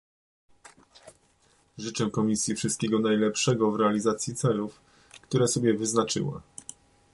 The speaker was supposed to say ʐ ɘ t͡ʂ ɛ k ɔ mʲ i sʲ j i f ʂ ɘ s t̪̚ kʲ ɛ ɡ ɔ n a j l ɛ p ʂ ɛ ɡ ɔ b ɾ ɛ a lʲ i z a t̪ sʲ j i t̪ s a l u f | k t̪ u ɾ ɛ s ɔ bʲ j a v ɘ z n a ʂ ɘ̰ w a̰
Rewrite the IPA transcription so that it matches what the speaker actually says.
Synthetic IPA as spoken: ʐ ɘ t͡ʂ ɛ k ɔ mʲ i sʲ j i f ʂ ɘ s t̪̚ kʲ ɛ ɡ ɔ n a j l ɛ p ʂ ɛ ɡ ɔ v ɾ ɛ a lʲ i z a t̪ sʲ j i t̪ s ɛ l u f | k t̪ u ɾ ɛ s ɔ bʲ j ɛ v ɘ z n a t͡ʂ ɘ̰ w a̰